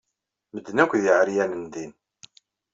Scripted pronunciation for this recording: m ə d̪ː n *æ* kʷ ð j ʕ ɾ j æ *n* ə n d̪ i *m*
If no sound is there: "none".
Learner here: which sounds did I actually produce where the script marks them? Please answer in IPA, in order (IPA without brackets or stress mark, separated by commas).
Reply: æ, n, n